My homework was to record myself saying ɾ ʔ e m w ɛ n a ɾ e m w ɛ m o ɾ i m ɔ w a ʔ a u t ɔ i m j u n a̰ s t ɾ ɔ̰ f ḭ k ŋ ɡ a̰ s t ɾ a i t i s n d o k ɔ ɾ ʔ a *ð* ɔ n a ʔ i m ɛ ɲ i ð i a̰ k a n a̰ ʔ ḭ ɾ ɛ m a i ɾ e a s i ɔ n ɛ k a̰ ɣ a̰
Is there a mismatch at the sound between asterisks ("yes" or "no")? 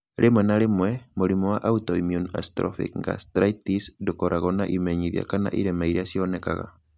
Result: yes